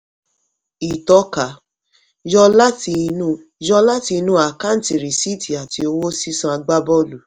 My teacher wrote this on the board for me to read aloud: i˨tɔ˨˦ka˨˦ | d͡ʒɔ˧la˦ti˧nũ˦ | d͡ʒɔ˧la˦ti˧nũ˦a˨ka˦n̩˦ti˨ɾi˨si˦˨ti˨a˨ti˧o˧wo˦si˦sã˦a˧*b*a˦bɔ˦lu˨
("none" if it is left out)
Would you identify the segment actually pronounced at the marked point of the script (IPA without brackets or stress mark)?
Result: ɡ͡b